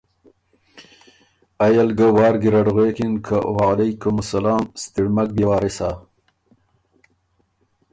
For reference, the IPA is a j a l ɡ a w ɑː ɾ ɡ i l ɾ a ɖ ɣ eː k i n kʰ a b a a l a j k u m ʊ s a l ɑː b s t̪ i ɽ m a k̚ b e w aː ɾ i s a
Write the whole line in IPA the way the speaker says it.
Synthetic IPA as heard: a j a l ɡ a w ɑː ɾ ɡ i ɾ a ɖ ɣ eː k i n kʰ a w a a l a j k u m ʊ s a l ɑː m s t̪ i ɽ m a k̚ b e w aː ɾ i s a